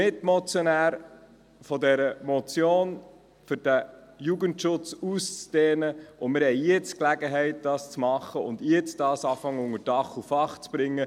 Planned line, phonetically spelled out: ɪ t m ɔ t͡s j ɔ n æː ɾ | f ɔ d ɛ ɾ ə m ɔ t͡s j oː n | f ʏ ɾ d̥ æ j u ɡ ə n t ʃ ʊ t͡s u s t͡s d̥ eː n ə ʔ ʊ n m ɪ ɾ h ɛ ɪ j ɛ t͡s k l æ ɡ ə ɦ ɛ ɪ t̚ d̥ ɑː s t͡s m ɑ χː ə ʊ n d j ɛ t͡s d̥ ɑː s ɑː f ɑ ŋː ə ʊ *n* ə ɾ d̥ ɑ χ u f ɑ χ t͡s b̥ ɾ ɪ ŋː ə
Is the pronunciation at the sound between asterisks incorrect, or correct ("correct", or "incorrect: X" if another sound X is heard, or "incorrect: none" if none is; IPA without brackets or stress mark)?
incorrect: ŋ